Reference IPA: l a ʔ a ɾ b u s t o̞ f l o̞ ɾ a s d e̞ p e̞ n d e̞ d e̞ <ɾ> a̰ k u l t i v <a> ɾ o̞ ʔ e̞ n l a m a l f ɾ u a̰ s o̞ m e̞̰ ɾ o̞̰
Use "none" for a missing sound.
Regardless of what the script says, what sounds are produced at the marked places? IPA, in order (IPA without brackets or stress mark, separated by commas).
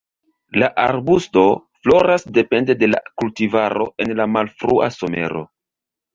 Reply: l, a